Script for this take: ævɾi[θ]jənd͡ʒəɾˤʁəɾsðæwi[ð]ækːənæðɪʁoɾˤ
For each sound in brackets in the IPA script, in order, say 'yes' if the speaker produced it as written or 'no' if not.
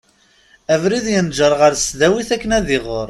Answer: no, no

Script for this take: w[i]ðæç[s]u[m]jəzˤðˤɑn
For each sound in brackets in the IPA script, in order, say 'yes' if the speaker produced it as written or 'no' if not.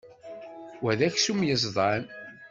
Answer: no, yes, yes

